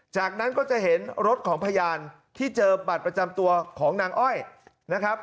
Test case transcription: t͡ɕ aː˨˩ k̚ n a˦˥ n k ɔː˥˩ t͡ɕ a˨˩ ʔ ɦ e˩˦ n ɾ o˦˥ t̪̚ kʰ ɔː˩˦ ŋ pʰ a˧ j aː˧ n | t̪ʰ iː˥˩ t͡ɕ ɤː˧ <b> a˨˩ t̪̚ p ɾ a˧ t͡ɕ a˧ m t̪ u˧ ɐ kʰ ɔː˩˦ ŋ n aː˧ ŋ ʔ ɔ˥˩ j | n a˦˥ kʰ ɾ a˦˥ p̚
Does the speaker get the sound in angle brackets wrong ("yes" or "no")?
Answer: no